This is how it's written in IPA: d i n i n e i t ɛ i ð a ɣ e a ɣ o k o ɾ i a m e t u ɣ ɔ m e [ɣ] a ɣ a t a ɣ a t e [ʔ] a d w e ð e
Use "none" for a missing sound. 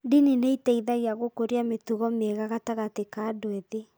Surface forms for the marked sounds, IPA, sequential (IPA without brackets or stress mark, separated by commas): ɣ, k